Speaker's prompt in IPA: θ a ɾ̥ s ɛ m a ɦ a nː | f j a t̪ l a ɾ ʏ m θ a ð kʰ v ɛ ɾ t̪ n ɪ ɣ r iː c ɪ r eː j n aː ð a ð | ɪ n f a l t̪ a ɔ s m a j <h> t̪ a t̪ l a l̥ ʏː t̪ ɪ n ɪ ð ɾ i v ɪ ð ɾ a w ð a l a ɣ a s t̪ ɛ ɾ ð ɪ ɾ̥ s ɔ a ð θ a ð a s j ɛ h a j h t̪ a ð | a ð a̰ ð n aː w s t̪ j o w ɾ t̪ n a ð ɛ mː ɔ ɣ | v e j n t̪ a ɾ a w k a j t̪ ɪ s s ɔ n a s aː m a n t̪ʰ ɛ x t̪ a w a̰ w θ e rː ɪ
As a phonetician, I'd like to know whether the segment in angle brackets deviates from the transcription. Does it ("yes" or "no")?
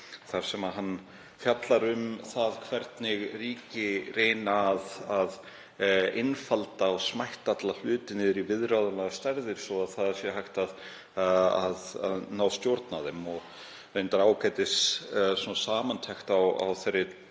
no